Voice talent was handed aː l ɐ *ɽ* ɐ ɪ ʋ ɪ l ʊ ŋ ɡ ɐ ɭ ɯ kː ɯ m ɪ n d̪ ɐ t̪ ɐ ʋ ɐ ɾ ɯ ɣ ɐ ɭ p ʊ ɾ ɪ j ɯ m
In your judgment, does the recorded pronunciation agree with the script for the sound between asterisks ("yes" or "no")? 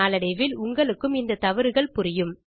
yes